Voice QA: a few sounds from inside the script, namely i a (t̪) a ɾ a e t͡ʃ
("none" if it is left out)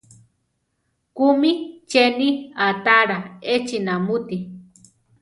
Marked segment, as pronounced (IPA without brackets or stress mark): t̪